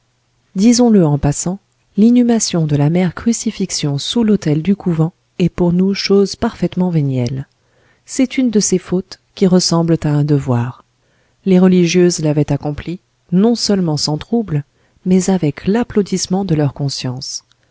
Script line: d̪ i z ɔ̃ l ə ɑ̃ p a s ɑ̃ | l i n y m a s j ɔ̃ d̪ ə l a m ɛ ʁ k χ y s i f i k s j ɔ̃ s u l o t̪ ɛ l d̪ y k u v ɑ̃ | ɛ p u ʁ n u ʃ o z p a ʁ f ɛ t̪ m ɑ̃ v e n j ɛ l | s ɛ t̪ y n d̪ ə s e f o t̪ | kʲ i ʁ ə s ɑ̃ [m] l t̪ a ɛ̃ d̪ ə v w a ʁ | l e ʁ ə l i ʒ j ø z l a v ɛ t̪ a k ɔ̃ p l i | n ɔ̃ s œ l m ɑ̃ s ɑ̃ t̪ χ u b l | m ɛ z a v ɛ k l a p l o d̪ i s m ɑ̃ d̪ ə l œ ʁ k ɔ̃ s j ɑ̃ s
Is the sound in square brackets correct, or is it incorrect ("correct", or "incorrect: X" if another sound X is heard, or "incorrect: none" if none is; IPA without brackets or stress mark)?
incorrect: b